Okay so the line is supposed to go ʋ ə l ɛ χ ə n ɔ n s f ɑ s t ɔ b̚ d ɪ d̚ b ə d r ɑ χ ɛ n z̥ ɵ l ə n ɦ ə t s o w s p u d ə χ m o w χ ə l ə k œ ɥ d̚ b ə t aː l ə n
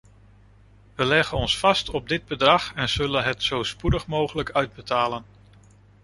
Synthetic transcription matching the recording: ʋ ə l ɛ χ ə n ɔ n s f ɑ s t ɔ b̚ d ɪ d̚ b ə d r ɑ χ ɛ n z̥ ɵ l ə n ɦ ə t s o w s p u d ə χ m o w χ ə l ə k œ ɥ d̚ b ə t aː l ə n